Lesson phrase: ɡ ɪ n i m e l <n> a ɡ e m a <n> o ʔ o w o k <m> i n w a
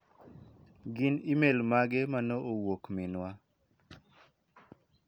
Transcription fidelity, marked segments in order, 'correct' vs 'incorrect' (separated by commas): incorrect, correct, correct